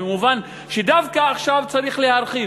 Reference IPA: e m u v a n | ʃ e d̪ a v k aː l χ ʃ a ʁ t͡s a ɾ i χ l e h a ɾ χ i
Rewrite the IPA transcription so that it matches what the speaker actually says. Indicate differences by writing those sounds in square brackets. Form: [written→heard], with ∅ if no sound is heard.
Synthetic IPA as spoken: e m u v a n | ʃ e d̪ a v k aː [l→∅] χ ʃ a [ʁ→v] t͡s a ɾ i χ l e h a ɾ χ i

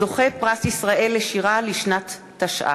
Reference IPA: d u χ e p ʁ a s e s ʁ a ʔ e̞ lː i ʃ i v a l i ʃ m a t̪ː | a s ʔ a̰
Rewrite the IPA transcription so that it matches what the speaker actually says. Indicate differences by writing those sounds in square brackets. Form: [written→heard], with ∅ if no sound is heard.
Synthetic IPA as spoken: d [u→o] χ e p ʁ a s [e→i] s ʁ a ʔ e̞ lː [i→e] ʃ i [v→ʁ] a l i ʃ [m→n] a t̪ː | a [s→ʃ] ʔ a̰

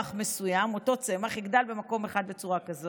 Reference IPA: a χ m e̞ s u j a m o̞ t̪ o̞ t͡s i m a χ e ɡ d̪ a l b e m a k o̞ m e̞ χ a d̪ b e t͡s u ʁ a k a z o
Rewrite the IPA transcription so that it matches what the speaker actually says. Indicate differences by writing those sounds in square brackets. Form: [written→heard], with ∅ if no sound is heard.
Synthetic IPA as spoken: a χ m e̞ s u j a m o̞ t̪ o̞ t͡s [i→e] m a χ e ɡ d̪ a l b e m a k o̞ m e̞ χ a d̪ b e t͡s u ʁ a k a z o

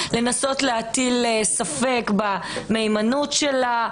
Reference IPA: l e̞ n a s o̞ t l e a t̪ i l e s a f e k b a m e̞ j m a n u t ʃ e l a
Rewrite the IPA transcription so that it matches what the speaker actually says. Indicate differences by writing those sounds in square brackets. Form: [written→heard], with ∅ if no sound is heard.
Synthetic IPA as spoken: l e̞ n a s o̞ t l e a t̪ i l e s a f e k b a m e̞ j m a n u t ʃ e l a

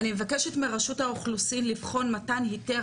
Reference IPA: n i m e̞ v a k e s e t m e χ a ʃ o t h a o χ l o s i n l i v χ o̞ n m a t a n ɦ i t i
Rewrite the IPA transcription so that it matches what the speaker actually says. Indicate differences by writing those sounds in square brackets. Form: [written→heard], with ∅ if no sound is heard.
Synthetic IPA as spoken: n i m e̞ v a k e [s→ʃ] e t m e [χ→ʁ] a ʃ [o→u] t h a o χ l [o→u] s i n l i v χ o̞ n m a t a n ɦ i t [i→e]

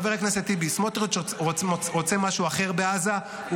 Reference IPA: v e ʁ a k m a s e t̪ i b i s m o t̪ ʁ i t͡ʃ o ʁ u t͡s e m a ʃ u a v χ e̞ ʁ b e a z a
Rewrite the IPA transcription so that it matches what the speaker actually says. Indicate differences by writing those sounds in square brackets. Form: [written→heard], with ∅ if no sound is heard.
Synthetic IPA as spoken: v e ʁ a k [m→n] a s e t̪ i b i s m o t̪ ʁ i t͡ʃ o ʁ [u→o] t͡s e m a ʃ u a [v→∅] χ e̞ ʁ b e a z a

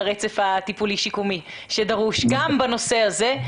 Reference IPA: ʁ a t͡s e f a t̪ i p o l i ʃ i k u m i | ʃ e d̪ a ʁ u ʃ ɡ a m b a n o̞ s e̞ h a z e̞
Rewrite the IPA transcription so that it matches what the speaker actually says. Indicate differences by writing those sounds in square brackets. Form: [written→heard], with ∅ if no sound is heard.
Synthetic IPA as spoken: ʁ [a→e] t͡s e f a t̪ i p [o→u] l i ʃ i k u m i | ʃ e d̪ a ʁ u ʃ ɡ a m b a n o̞ s e̞ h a z e̞

